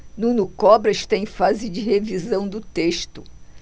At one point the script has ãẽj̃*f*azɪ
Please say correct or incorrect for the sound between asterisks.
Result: correct